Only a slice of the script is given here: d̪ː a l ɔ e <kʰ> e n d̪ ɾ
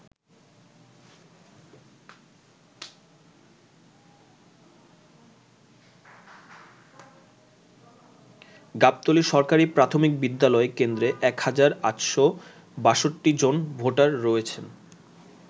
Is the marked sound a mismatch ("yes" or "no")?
yes